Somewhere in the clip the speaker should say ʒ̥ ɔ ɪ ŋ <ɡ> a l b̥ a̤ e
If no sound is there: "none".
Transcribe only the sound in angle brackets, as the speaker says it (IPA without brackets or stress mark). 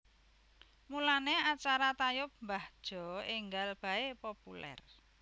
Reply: ɡ